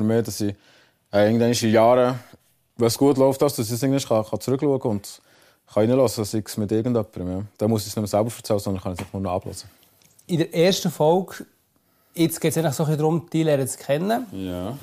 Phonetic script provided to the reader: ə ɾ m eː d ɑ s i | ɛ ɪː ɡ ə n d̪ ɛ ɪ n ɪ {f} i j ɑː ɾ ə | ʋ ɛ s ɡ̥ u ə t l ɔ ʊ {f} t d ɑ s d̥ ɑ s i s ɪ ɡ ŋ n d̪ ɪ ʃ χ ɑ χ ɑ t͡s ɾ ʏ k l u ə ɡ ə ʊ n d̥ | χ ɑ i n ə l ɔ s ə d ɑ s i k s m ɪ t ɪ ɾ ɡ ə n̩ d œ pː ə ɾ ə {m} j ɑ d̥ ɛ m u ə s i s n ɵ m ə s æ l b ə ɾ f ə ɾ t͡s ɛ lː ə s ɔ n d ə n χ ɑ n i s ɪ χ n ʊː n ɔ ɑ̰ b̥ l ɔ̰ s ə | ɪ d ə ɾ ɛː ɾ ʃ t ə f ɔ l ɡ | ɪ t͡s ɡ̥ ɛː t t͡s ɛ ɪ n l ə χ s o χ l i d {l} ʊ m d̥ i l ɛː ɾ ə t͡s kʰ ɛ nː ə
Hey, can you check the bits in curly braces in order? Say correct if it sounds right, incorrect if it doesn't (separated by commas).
incorrect, correct, correct, incorrect